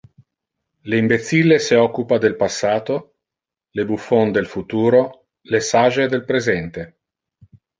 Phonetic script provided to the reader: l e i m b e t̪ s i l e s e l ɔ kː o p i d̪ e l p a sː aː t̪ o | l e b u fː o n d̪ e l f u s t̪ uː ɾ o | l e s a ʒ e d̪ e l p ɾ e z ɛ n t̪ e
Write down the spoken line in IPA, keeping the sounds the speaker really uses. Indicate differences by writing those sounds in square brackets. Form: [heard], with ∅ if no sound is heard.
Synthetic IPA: l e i m b e t̪ s i l e s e [∅] ɔ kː [u] p [a] d̪ e l p a sː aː t̪ o | l e b u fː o n d̪ e l f u [∅] t̪ uː ɾ o | l e s a ʒ e d̪ e l p ɾ e z ɛ n t̪ e

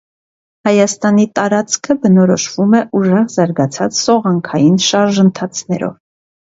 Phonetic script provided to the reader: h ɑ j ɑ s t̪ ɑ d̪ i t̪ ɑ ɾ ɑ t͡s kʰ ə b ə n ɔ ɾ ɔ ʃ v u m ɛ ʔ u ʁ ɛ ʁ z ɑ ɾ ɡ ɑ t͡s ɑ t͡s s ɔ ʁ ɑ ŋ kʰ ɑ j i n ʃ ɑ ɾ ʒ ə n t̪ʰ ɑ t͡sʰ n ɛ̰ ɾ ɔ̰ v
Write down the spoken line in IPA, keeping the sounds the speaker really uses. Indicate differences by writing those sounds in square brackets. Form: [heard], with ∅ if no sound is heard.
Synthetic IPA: h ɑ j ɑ s t̪ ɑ [n̪] i t̪ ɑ ɾ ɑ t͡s kʰ ə b ə n ɔ ɾ ɔ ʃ v u m ɛ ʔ u [ʒ] ɛ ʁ z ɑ ɾ ɡ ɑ [t͡sʰ] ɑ t͡s s ɔ ʁ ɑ ŋ kʰ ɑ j i n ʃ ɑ ɾ ʒ ə n t̪ʰ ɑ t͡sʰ n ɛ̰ ɾ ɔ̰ v

